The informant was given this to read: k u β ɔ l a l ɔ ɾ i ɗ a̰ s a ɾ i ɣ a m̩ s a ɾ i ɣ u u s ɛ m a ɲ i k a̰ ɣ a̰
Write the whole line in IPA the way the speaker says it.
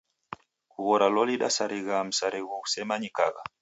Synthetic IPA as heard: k u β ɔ ɾ a l ɔ l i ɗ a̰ s a ɾ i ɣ a m̩ s a ɾ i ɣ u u s ɛ m a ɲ i k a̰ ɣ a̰

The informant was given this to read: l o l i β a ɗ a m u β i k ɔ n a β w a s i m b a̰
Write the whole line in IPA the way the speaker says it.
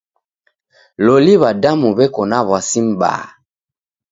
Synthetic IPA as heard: l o l i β a d a m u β ɛ k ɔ n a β w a s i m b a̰

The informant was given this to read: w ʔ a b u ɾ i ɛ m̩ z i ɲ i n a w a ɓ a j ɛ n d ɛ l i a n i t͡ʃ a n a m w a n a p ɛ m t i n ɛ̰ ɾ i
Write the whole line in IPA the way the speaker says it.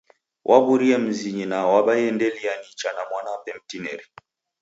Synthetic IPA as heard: w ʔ a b u ɾ i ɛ m̩ z i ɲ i n a w a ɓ a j ɛ n d ɛ l i a n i t͡ʃ a n a m w a n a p ɛ m t i n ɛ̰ ɾ i

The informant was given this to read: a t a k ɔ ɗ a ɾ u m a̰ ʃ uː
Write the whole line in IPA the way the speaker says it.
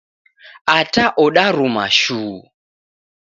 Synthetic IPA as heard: a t a ʔ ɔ ɗ a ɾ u m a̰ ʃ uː

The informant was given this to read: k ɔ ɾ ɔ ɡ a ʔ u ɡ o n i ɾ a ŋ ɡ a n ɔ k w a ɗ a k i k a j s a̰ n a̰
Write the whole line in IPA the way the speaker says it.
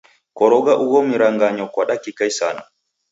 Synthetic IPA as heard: k ɔ ɾ ɔ ɡ a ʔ u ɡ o m i ɾ a ŋ ɡ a ɲ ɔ k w a ɗ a k i k a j s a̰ n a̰

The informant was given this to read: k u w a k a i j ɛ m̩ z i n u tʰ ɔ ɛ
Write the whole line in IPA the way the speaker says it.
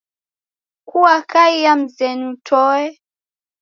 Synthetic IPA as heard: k u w a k a i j a m̩ z ɛ n u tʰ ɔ ɛ

